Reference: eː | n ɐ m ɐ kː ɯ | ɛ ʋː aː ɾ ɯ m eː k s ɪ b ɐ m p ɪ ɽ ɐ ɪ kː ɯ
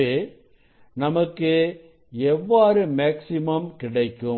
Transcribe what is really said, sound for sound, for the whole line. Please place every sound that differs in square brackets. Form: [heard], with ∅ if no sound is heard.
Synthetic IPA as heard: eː | n ɐ m ɐ kː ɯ | ɛ ʋː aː ɾ ɯ m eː k s ɪ [m] ɐ m [k] ɪ ɽ ɐ ɪ kː ɯ